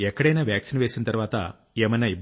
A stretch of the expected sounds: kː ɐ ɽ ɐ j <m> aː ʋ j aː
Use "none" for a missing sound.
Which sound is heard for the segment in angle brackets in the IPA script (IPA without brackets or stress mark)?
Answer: n